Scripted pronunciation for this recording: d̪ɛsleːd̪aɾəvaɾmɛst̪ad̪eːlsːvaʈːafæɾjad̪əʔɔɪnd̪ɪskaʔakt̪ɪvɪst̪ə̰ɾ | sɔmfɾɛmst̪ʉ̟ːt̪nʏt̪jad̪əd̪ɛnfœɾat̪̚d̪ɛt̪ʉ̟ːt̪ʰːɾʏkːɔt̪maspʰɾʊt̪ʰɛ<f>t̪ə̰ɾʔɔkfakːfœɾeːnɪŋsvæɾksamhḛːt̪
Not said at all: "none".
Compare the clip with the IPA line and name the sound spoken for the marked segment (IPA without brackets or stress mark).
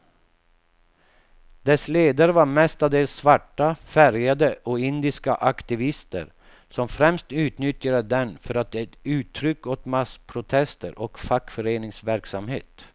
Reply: s